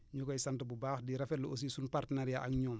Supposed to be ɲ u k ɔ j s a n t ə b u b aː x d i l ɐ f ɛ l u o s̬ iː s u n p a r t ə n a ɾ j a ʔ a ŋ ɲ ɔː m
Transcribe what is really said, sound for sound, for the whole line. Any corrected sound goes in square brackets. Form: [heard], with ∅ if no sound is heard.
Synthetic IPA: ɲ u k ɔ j s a n t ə b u b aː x d i [ɾ] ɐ f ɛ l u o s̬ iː s u n p a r t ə n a ɾ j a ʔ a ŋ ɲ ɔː m